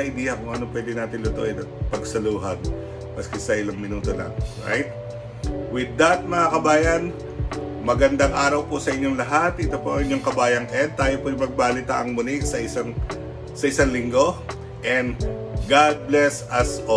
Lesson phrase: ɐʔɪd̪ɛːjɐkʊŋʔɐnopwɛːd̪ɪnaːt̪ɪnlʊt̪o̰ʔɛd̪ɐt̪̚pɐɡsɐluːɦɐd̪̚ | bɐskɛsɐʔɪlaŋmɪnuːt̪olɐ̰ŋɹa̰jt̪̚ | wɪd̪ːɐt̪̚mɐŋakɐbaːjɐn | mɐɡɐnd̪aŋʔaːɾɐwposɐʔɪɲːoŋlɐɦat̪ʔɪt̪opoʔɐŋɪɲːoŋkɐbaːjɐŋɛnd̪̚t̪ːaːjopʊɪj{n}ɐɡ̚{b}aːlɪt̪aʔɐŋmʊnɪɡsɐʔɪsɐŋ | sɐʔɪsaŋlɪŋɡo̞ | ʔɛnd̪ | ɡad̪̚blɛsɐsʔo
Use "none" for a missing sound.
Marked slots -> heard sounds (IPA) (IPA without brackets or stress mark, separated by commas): m, b